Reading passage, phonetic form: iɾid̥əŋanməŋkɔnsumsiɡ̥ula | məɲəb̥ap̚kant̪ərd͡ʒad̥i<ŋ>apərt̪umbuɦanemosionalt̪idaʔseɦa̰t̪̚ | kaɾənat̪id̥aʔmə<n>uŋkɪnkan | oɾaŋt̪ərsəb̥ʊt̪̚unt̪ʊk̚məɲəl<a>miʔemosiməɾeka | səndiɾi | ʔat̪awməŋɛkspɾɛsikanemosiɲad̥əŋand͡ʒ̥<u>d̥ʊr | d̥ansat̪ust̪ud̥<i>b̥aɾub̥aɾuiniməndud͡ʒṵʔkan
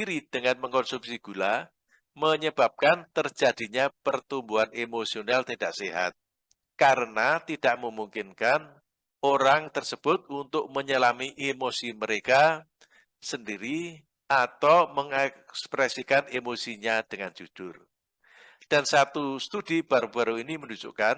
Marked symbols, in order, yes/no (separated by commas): no, no, yes, yes, yes